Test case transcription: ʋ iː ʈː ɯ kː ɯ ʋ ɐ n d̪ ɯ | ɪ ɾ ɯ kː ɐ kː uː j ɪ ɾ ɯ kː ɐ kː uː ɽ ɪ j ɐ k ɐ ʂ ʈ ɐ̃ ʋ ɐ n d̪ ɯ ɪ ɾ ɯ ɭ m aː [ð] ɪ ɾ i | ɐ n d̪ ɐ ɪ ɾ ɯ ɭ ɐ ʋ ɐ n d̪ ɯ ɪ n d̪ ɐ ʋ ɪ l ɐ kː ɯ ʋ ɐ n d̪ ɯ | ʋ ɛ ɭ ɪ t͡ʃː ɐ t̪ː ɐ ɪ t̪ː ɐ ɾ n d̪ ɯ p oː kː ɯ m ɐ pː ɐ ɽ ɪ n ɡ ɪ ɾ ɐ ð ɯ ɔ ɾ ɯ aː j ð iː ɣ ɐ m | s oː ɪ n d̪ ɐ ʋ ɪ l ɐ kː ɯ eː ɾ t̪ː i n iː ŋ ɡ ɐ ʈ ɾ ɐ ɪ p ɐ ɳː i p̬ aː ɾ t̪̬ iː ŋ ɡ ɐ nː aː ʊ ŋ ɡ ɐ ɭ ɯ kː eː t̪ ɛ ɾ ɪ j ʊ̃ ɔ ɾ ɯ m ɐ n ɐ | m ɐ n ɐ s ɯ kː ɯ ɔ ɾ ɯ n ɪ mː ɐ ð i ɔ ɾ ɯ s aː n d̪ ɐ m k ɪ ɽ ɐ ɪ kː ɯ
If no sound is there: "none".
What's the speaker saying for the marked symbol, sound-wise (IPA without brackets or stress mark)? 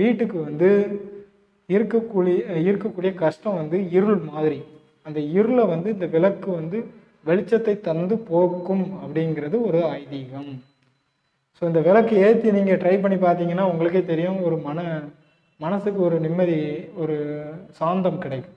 ð